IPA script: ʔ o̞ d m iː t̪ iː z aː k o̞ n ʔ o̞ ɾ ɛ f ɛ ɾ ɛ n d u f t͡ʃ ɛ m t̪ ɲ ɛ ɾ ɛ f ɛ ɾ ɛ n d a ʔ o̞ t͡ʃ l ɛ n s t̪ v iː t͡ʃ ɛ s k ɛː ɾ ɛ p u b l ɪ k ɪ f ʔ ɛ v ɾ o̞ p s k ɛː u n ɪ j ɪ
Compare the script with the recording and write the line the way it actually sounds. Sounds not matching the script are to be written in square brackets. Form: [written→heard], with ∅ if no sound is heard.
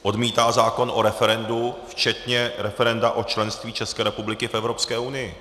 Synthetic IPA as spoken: ʔ o̞ d m iː t̪ [iː→aː] z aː k o̞ n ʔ o̞ ɾ ɛ f ɛ ɾ ɛ n d u f t͡ʃ ɛ [m→∅] t̪ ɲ ɛ ɾ ɛ f ɛ ɾ ɛ n d a ʔ o̞ t͡ʃ l ɛ n s t̪ v iː t͡ʃ ɛ s k ɛː ɾ ɛ p u b l ɪ k ɪ f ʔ ɛ v ɾ o̞ p s k ɛː u n ɪ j ɪ